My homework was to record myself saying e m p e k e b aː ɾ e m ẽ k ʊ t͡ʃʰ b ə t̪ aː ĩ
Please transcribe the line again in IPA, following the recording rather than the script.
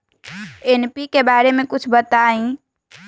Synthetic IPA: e n p i k e b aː ɾ e m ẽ k ʊ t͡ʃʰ b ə t̪ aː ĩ